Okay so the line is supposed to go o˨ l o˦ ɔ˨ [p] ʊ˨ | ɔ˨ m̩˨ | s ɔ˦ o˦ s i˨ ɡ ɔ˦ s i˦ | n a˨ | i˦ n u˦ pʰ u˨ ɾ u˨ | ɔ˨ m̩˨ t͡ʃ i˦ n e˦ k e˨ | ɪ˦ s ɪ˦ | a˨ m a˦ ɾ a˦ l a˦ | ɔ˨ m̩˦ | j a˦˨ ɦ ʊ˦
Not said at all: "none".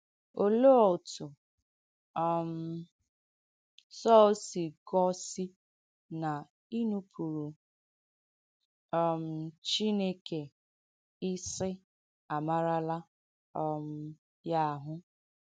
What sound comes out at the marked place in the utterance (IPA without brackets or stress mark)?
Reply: t